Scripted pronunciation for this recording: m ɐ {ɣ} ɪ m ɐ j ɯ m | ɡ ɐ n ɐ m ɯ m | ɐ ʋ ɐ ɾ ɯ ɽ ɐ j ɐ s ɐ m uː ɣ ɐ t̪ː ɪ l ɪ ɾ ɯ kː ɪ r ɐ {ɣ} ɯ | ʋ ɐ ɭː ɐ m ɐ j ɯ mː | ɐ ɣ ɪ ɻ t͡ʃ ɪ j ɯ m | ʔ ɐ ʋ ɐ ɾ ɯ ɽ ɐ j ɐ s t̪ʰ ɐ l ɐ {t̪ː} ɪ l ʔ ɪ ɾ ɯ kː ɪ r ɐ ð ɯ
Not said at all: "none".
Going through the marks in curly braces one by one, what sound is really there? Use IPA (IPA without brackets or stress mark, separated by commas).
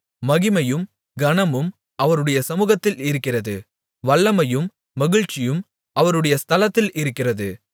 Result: ɣ, ð, t̪ː